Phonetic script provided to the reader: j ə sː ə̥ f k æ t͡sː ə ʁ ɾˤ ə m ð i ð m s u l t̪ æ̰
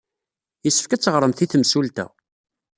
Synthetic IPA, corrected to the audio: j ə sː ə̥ f k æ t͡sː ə ʁ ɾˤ ə m θ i θ m s u l t̪ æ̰